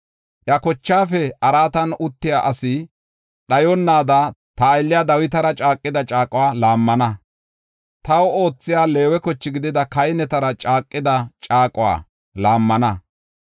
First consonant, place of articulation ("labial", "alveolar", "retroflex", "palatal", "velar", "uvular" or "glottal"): glottal